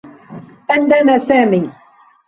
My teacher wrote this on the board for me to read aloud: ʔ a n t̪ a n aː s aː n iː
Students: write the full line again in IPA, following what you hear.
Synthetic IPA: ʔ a n d̪ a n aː s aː m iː